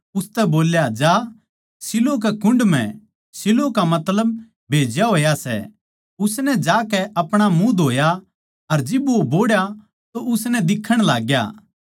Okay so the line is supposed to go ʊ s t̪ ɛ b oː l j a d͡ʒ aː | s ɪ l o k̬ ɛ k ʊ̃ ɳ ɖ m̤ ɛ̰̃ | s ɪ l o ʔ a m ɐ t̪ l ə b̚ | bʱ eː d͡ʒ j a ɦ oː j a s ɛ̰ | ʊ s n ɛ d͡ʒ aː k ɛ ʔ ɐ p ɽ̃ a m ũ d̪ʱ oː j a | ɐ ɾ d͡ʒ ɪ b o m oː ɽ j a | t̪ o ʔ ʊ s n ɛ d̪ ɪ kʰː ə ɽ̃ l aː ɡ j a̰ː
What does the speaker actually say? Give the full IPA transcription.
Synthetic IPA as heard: ʊ s t̪ ɛ b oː l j a d͡ʒ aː | s ɪ l o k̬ ɛ k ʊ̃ ɳ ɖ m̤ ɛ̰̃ | s ɪ l o k a m ɐ t̪ l ə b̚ | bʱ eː d͡ʒ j a ɦ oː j a s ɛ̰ | ʊ s n ɛ d͡ʒ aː k ɛ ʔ ɐ p ɽ̃ a m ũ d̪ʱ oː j a | ɐ ɾ d͡ʒ ɪ b o b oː ɽ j a | t̪ o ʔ ʊ s n ɛ d̪ ɪ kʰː ə ɽ̃ l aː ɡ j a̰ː